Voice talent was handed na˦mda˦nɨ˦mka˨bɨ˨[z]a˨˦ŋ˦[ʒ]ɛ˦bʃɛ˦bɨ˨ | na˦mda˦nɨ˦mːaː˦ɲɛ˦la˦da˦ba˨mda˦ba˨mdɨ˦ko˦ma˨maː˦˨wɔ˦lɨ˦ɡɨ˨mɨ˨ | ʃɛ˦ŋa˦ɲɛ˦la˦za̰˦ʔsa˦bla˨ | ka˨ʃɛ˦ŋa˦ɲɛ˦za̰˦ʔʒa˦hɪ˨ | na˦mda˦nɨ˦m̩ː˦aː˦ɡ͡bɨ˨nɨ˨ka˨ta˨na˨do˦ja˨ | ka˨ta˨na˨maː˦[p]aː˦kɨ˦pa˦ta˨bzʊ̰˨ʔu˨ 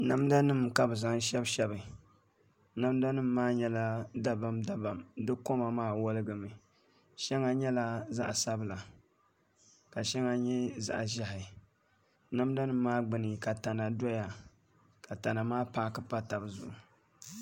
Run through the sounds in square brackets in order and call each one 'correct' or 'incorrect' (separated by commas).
correct, incorrect, correct